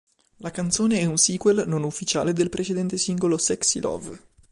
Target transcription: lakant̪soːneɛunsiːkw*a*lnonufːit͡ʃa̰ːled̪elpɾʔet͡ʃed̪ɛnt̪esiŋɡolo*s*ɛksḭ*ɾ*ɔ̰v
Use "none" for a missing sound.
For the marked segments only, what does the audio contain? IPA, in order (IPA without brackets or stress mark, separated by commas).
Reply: e, s, l